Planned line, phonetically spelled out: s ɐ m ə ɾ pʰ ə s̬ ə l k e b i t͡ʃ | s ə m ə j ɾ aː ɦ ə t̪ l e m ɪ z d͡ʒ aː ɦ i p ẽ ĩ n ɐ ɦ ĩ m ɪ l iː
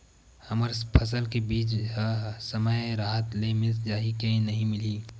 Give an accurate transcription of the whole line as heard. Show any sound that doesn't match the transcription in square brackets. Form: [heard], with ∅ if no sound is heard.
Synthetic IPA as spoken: [h] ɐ m ə ɾ pʰ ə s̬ ə l k e b [iː] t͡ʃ | s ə m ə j ɾ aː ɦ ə t̪ l e m ɪ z d͡ʒ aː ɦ i [k] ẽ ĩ n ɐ ɦ ĩ m ɪ l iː

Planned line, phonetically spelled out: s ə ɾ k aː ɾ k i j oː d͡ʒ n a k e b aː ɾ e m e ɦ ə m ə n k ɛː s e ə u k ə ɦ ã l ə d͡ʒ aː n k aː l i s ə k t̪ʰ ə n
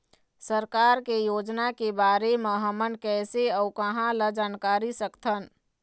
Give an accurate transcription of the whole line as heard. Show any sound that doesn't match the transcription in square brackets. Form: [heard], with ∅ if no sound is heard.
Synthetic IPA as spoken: s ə ɾ k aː ɾ k [e] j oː d͡ʒ n a k e b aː ɾ e m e ɦ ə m ə n k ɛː s e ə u k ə ɦ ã l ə d͡ʒ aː n k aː [ɾ] i s ə k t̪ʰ ə n

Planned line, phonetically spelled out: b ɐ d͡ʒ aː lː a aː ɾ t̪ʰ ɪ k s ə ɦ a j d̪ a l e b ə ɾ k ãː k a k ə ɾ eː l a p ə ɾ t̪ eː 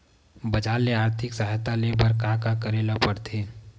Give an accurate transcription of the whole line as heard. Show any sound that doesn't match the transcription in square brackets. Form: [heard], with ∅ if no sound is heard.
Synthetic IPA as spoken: b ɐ d͡ʒ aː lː [e] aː ɾ t̪ʰ ɪ k s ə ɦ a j [t̪] a l e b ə ɾ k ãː k a k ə ɾ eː l a p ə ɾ [t̪ʰ] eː

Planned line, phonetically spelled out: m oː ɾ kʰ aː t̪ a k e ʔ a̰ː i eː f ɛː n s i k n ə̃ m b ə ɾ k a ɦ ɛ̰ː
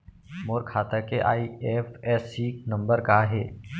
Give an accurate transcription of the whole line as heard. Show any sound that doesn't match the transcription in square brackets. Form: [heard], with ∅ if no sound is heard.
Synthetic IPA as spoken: m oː ɾ kʰ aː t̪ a k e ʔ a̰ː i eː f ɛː [∅] s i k n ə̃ m b ə ɾ k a ɦ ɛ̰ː

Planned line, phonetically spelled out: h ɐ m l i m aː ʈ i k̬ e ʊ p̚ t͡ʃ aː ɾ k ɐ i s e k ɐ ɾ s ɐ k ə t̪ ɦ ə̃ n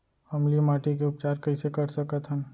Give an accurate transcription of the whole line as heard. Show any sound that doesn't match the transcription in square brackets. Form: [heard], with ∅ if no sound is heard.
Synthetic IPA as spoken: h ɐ m l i m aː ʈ i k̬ e ʊ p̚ t͡ʃ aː ɾ k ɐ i s e k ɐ ɾ s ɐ k ə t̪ ɦ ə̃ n

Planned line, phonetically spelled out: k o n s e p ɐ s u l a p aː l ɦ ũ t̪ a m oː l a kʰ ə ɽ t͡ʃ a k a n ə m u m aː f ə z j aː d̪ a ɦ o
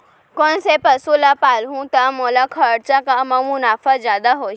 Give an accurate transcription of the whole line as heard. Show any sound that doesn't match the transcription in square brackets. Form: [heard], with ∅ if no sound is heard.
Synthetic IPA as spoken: k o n s e p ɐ s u l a p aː l ɦ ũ t̪ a m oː l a kʰ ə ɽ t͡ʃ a k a [m] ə m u [n] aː f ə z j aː d̪ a ɦ o

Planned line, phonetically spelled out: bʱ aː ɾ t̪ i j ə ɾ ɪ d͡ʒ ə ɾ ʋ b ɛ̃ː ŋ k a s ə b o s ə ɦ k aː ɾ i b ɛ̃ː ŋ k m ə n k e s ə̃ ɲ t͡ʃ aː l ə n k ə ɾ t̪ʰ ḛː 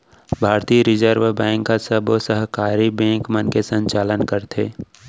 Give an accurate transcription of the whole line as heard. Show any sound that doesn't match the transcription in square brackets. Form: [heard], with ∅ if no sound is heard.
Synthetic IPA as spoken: bʱ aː ɾ t̪ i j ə ɾ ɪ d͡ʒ ə ɾ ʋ b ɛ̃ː ŋ k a s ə b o s ə ɦ k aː ɾ i b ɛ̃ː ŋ k m ə n k e s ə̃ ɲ t͡ʃ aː l ə n k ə ɾ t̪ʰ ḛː

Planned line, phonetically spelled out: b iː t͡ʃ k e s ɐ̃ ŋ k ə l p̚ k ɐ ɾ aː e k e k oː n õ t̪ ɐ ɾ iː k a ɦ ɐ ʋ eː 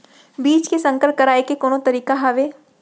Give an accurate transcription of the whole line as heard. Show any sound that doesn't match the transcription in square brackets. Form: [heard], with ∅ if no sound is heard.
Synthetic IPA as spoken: b iː t͡ʃ k e s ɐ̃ ŋ k ə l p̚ k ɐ ɾ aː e k e k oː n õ t̪ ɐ ɾ iː k a ɦ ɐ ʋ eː

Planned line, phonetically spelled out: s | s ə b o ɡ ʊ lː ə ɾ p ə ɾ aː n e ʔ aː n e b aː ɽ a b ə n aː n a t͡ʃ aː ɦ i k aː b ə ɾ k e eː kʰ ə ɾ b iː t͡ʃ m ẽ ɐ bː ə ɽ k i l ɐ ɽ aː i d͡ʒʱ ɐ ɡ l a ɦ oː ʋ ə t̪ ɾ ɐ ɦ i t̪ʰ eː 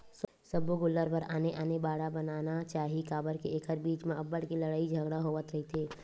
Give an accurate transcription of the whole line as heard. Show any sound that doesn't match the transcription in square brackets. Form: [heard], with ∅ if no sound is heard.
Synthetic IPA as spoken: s | s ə b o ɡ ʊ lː ə ɾ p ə ɾ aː n e ʔ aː n e b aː ɽ a b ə n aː n a t͡ʃ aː ɦ i k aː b ə ɾ k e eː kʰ ə ɾ b iː t͡ʃ m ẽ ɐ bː ə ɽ k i l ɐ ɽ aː i d͡ʒʱ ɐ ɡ [ɽ] a ɦ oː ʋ ə t̪ ɾ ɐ ɦ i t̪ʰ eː

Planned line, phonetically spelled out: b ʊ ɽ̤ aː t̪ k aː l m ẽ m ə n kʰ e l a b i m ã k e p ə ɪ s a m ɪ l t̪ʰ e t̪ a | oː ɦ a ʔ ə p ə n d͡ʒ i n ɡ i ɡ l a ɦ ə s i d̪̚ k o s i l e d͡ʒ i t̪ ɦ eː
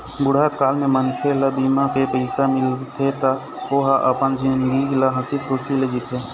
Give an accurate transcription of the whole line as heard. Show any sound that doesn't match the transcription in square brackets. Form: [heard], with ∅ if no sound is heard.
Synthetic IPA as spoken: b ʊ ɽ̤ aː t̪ k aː l m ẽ m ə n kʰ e l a b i m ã k e p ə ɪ s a m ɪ l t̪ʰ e t̪ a | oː ɦ a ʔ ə p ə n d͡ʒ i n ɡ i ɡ l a ɦ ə s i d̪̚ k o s i l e d͡ʒ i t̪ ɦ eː

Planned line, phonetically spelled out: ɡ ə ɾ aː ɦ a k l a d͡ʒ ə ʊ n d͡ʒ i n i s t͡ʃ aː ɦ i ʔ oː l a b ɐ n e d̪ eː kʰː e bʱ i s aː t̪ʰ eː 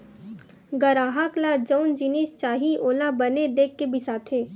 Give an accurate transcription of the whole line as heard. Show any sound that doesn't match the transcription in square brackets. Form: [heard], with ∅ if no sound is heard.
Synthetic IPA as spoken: ɡ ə ɾ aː ɦ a k l a d͡ʒ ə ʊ n d͡ʒ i n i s t͡ʃ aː ɦ i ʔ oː l a b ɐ n e d̪ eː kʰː e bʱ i s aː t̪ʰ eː

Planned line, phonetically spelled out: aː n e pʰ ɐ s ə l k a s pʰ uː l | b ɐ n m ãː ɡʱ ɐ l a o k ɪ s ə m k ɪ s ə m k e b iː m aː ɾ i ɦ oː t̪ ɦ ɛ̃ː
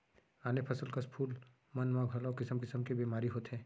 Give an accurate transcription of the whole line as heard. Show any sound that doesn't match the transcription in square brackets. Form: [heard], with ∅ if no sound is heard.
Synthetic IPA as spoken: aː n e pʰ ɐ s ə l k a s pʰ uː l | [m] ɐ n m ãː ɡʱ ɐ l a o k ɪ s ə m k ɪ s ə m k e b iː m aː ɾ i ɦ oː t̪ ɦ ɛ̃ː

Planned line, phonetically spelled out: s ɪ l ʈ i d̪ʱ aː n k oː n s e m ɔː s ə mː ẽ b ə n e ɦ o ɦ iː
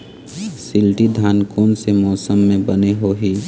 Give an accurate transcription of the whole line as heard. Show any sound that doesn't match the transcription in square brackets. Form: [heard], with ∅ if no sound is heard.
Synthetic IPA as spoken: s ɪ l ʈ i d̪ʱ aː n k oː n s e m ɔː s ə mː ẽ b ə n e ɦ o ɦ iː

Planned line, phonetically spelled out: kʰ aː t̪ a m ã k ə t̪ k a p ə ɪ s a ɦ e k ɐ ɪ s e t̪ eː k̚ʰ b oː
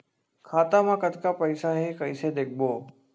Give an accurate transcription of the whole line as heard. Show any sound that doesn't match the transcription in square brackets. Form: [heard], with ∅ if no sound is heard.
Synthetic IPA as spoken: kʰ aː t̪ a m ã k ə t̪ k a p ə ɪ s a ɦ e k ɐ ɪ s e [d̪] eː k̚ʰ b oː

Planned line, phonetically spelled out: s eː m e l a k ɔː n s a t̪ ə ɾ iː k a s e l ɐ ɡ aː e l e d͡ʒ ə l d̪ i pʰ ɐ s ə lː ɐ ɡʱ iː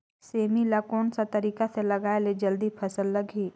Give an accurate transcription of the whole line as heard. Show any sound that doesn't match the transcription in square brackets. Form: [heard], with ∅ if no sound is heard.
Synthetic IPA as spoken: s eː m [i] l a k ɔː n s a t̪ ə ɾ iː k a s e l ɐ ɡ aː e l e d͡ʒ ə l d̪ i pʰ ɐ s ə lː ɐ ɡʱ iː

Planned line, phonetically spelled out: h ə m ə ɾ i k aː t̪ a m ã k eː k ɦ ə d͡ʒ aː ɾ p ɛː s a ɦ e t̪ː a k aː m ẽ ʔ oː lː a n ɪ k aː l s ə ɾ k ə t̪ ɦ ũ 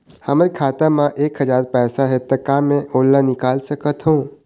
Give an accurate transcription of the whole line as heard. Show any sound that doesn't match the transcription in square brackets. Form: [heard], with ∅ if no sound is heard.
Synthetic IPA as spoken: h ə m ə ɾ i [kʰ] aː t̪ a m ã [ʔ] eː k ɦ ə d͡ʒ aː ɾ p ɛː s a ɦ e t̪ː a k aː m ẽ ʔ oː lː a n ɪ k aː l s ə [∅] k ə t̪ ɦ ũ

